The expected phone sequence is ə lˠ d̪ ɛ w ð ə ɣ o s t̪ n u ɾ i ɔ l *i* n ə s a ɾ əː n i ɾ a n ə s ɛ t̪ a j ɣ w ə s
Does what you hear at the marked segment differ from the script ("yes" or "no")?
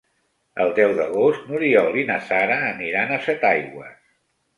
no